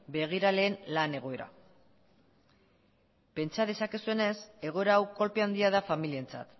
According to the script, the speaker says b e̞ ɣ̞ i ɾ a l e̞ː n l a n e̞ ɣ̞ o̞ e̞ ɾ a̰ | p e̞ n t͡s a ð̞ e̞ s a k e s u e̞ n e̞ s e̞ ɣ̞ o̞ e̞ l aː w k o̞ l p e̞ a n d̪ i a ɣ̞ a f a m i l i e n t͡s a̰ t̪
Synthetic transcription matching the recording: b e̞ ɣ̞ i ɾ a l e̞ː n l a n e̞ ɣ̞ o̞ e̞ ɾ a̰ | p e̞ n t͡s a ð̞ e̞ s a k e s u e̞ n e̞ s e̞ ɣ̞ o̞ e̞ ɾ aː w k o̞ l p e̞ a n d̪ i a ð̞ a f a m i l i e n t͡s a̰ t̪

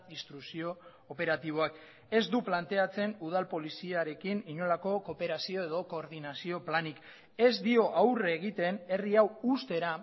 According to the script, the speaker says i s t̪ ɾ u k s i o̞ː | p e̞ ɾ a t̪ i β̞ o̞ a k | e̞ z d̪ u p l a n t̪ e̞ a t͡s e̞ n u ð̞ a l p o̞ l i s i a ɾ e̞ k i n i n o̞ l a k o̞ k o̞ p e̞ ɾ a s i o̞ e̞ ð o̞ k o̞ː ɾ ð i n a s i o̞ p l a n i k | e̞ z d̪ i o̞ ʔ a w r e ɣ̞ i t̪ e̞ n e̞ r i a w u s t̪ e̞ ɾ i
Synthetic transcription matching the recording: i s t̪ ɾ u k s i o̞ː | p e̞ ɾ a t̪ i β̞ o̞ a k | e̞ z d̪ u p l a n t̪ e̞ a t͡s e̞ n u ð̞ a l p o̞ l i s i a ɾ e̞ k i n i ɲ o̞ l a k o̞ k o̞ p e̞ ɾ a s i o̞ e̞ ð o̞ k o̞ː ɾ ð i n a s i o̞ p l a n i k | e̞ z d̪ i o̞ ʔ a w r e ɣ̞ i t̪ e̞ n e̞ r i a w u s t̪ e̞ ɾ a

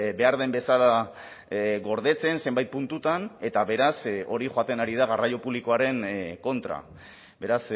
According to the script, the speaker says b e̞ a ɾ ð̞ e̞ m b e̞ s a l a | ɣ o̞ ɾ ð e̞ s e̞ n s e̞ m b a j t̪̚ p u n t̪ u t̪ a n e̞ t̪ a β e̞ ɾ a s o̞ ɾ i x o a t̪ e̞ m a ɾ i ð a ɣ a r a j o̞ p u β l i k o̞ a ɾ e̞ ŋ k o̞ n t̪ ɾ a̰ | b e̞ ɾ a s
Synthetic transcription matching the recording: b e̞ a ɾ ð̞ e̞ m b e̞ s a l a | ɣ o̞ ɾ ð e̞ t͡s e̞ n s e̞ m b a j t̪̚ p u n t̪ u t̪ a n e̞ t̪ a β e̞ ɾ a s o̞ ɾ i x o a t̪ e̞ n a ɾ i ð a ɣ a r a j o̞ p u β l i k o̞ a ɾ e̞ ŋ k o̞ n t̪ ɾ a̰ | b e̞ ɾ a s

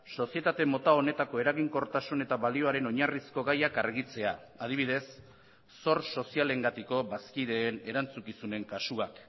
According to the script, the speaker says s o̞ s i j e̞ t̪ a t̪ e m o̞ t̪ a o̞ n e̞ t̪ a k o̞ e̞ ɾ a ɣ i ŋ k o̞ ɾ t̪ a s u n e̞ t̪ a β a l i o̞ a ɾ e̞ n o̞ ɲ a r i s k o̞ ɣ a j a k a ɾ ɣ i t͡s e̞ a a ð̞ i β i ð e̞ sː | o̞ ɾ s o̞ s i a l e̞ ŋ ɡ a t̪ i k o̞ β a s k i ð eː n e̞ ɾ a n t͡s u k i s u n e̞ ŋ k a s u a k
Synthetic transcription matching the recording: s o̞ s i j e̞ t̪ a t̪ e m o̞ t̪ a o̞ n e̞ t̪ a k o̞ e̞ ɾ a ɣ i ŋ k o̞ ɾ t̪ a s u n e̞ t̪ a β a l i o̞ a ɾ e̞ n o̞ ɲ a r i s k o̞ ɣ a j a k a ɾ ɣ i t͡s e̞ a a ð̞ i β i ð e̞ sː | o̞ ɾ s o̞ s i a l e̞ ŋ ɡ a t̪ i k o̞ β a s k i ð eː n e̞ ɾ a n t͡s u k i s u n e̞ ŋ k a s u a k

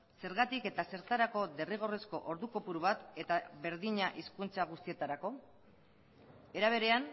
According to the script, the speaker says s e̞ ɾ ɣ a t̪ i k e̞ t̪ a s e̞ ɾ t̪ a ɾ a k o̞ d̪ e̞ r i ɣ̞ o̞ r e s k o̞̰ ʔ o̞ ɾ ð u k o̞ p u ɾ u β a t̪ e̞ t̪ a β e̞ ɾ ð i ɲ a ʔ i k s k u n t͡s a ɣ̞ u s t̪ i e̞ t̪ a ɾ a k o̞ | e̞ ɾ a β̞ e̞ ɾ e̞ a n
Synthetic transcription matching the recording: s e̞ ɾ ɣ a t̪ i k e̞ t̪ a s e̞ ɾ t̪ a ɾ a k o̞ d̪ e̞ r i ɣ̞ o̞ r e s k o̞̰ ʔ o̞ ɾ ð u k o̞ p u ɾ u β a t̪ e̞ t̪ a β e̞ ɾ ð i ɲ a ʔ i s k u n t͡s a ɣ̞ u s t̪ i e̞ t̪ a ɾ a k o̞ | e̞ ɾ a β̞ e̞ ɾ e̞ a n

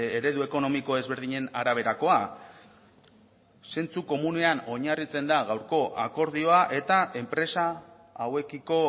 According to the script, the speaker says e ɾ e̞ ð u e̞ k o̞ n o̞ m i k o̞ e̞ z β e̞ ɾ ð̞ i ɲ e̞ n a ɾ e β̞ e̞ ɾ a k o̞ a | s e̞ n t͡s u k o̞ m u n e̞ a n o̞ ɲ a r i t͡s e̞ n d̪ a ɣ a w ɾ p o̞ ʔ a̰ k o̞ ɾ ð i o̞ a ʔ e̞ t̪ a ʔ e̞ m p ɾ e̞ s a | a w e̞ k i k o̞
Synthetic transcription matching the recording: e ɾ e̞ ð u e̞ k o̞ n o̞ m i k o̞ e̞ z β e̞ ɾ ð̞ i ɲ e̞ n a ɾ a β̞ e̞ ɾ a k o̞ a | s e̞ n t͡s u k o̞ m u n e̞ a n o̞ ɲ a r i t͡s e̞ n d̪ a ɣ a w ɾ k o̞ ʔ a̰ k o̞ ɾ ð i o̞ a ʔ e̞ t̪ a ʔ e̞ m p ɾ e̞ s a | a w e̞ k i k o̞

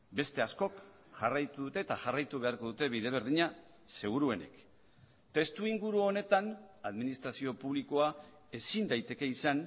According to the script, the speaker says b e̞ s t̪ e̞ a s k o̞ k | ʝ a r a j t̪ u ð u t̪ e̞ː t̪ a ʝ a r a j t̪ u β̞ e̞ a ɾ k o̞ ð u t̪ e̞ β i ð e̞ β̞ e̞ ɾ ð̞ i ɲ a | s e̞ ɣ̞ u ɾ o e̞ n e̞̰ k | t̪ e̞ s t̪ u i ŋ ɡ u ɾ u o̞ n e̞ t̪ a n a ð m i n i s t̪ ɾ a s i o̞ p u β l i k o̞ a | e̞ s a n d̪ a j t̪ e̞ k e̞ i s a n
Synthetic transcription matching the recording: b e̞ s t̪ e̞ a s k o̞ k | ʝ a r a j t̪ u ð u t̪ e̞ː t̪ a ʝ a r a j t̪ u β̞ e̞ a ɾ k o̞ ð u t̪ e̞ β i ð e̞ β̞ e̞ ɾ ð̞ i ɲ a | s e̞ ɣ̞ u ɾ u e̞ n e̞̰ k | t̪ e̞ s t̪ u i ŋ ɡ u ɾ u o̞ n e̞ t̪ a n a ð m i n i s t̪ ɾ a s i o̞ p u β l i k o̞ a | e̞ s i n d̪ a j t̪ e̞ k e̞ i s a n

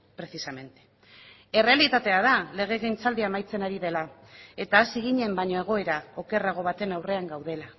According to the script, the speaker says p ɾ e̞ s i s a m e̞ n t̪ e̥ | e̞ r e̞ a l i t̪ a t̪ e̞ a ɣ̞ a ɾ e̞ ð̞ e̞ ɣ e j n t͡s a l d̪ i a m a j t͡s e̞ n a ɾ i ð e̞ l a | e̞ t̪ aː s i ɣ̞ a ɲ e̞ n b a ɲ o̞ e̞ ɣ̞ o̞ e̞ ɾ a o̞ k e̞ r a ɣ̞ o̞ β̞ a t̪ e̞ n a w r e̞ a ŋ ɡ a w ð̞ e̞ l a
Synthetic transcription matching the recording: p ɾ e̞ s i s a m e̞ n t̪ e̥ | e̞ r e̞ a l i t̪ a t̪ e̞ a ð̞ a l e̞ ɣ̞ e̞ ɣ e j n t͡s a l d̪ i a m a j t͡s e̞ n a ɾ i ð e̞ l a | e̞ t̪ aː s i ɣ̞ i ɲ e̞ m b a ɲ o̞ e̞ ɣ̞ o̞ e̞ ɾ a o̞ k e̞ r a ɣ̞ o̞ β̞ a t̪ e̞ n a w r e̞ a ŋ ɡ a w ð̞ e̞ l a

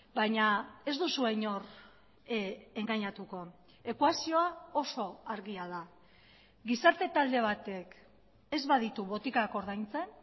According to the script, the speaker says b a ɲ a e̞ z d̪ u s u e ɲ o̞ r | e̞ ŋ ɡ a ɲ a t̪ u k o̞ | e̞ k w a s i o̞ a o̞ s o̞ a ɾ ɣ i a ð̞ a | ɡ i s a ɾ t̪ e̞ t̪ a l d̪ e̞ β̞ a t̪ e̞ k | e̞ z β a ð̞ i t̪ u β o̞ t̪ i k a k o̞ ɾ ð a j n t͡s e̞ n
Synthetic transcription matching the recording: b a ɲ a e̞ z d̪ u s u e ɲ o̞ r | e̞ ŋ ɡ a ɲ a t̪ u k o̞ | e̞ k w a s i o̞ a o̞ s o̞ a ɾ ɣ i a ð̞ a | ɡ i s a ɾ t̪ e̞ t̪ a l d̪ e̞ β̞ a t̪ e̞ k | e̞ z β a ð̞ i t̪ u β o̞ t̪ i k a k o̞ ɾ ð a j n t͡s e̞ n

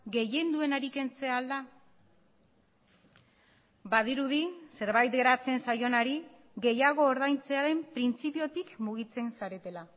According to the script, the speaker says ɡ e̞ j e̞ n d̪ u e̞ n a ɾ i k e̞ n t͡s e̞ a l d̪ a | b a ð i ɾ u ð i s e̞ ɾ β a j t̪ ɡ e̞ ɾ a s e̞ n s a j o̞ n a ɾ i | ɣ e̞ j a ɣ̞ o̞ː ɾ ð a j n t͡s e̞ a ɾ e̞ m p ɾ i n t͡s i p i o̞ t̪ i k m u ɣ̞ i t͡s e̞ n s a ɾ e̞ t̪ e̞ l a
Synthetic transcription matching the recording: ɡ e̞ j e̞ n d̪ u e̞ n a ɾ i k e̞ n t͡s e̞ a l d̪ a | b a ð i ɾ u ð i s e̞ ɾ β a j t̪ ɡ e̞ ɾ a t͡s e̞ n s a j o̞ n a ɾ i | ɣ e̞ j a ɣ̞ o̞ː ɾ ð a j n t͡s e̞ a ɾ e̞ m p ɾ i n t͡s i p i o̞ t̪ i k m u ɣ̞ i t͡s e̞ n s a ɾ e̞ t̪ e̞ l a

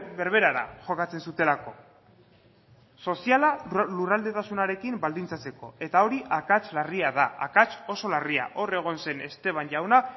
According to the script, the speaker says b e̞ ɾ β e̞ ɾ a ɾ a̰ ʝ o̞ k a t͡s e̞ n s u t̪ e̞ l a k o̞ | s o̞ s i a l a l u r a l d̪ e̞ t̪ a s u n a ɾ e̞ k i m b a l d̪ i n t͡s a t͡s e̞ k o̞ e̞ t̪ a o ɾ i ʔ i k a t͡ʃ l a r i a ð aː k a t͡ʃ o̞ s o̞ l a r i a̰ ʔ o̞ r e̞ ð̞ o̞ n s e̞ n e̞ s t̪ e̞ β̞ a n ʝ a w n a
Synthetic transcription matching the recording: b e̞ ɾ β e̞ ɾ a ɾ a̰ ʝ o̞ k a t͡s e̞ n s u t̪ e̞ l a k o̞ | s o̞ s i a l a l u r a l d̪ e̞ t̪ a s u n a ɾ e̞ k i m b a l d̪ i n t͡s a t͡s e̞ k o̞ e̞ t̪ a o ɾ i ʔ a k a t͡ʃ l a r i a ð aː k a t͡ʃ o̞ s o̞ l a r i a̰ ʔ o̞ r e̞ ɣ̞ o̞ n s e̞ n e̞ s t̪ e̞ β̞ a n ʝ a w n a

